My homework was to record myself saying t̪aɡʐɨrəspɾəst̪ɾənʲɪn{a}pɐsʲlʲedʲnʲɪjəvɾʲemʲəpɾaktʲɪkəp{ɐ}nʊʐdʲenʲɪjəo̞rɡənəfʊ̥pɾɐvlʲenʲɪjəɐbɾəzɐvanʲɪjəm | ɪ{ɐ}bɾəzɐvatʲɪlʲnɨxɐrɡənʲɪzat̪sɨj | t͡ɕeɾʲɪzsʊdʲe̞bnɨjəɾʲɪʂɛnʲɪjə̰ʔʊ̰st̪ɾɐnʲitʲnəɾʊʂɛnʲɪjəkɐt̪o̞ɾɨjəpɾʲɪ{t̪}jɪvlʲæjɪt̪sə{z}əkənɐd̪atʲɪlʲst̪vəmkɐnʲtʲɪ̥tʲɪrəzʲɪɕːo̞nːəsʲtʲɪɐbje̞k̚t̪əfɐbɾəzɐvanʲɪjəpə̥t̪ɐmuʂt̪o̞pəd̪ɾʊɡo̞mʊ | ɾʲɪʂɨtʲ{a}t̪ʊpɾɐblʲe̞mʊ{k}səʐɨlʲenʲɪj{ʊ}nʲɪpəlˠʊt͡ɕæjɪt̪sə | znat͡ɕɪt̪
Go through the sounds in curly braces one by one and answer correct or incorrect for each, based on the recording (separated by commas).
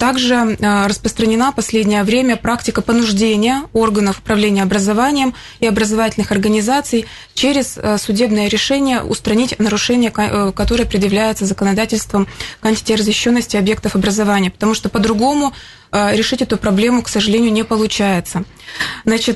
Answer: correct, incorrect, correct, incorrect, correct, incorrect, correct, correct